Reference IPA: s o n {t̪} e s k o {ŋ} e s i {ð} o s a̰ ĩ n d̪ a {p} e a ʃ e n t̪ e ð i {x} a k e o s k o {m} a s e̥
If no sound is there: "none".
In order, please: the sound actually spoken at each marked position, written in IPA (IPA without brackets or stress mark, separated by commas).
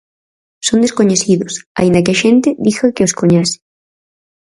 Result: d̪, ɲ, ð, k, x, ɲ